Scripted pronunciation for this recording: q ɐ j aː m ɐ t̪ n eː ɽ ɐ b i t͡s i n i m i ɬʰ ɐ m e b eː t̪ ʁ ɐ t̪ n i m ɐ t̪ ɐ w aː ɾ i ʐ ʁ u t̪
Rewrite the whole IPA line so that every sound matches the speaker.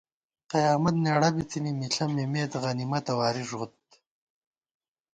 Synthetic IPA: q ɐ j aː m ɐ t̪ n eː ɽ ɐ b i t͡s i n i m i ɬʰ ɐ m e m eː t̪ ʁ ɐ n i m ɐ t̪ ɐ w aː ɾ i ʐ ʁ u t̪